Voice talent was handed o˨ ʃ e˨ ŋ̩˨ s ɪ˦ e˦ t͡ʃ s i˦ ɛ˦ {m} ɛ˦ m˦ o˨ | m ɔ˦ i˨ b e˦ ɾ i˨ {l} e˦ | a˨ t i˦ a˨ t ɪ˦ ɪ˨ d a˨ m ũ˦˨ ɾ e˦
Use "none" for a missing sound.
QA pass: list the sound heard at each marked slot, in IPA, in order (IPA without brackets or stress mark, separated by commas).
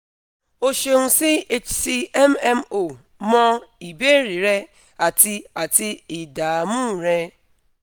m, ɾ